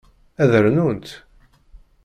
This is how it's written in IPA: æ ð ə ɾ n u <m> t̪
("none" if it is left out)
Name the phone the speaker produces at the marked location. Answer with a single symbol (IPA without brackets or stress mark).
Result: n